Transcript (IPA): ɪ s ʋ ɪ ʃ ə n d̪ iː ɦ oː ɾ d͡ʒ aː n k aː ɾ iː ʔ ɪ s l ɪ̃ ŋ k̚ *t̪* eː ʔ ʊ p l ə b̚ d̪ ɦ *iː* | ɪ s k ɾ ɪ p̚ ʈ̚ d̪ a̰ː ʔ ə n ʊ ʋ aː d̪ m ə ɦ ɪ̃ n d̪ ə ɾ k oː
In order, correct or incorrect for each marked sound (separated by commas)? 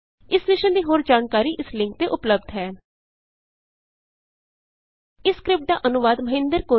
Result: correct, incorrect